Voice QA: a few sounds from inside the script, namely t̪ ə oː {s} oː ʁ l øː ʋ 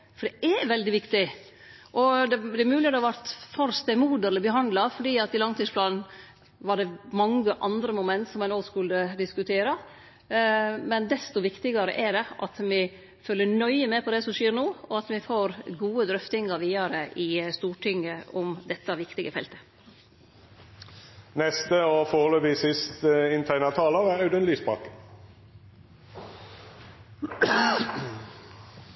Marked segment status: incorrect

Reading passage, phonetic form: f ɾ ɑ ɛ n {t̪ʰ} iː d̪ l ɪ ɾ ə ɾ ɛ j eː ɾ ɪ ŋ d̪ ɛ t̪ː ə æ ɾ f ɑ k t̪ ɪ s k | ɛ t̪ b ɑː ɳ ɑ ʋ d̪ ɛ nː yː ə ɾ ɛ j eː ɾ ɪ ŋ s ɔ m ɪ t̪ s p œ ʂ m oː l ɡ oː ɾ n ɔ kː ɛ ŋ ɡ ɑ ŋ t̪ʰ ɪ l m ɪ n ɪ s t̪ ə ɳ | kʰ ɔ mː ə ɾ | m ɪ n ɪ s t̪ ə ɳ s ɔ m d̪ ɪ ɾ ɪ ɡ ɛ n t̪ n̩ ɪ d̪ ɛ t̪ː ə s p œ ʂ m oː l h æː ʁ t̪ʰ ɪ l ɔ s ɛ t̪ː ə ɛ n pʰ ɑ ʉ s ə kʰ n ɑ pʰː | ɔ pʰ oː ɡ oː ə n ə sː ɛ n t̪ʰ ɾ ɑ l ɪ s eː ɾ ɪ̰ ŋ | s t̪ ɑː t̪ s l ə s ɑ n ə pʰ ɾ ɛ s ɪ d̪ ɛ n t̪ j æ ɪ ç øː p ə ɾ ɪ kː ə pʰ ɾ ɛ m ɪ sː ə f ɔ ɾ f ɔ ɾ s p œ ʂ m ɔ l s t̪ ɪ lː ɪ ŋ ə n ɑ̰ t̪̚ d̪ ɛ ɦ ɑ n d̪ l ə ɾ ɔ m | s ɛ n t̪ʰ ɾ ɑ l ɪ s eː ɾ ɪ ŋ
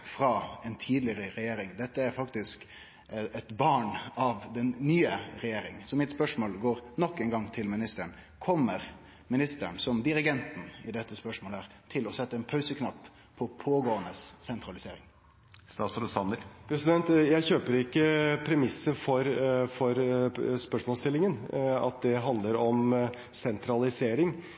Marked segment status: correct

